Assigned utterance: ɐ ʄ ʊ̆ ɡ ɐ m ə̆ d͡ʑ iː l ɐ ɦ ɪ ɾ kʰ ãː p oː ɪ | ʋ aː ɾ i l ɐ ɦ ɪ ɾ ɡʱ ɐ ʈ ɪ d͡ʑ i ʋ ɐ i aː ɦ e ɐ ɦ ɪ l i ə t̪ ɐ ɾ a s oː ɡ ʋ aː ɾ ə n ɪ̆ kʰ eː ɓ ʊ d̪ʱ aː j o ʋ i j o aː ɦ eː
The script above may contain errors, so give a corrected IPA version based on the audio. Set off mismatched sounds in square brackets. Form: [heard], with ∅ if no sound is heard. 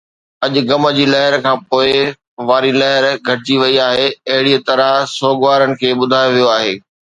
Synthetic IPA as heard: ɐ ʄ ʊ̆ ɡ ɐ m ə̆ d͡ʑ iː l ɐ ɦ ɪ ɾ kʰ ãː p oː ɪ | ʋ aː ɾ i l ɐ ɦ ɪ ɾ ɡʱ ɐ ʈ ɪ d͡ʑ i ʋ ɐ i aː ɦ e ɐ ɦ ɪ [ɽ] i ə t̪ ɐ ɾ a s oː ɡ ʋ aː ɾ ə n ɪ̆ kʰ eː ɓ ʊ d̪ʱ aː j o ʋ i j o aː ɦ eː